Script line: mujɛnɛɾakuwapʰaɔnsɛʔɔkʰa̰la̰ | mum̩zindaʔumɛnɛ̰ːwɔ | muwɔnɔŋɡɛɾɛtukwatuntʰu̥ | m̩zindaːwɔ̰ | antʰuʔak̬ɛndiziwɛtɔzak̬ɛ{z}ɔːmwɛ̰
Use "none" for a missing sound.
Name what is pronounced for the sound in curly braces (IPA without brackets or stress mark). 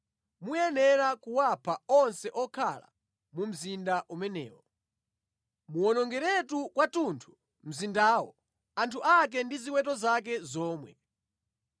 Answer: z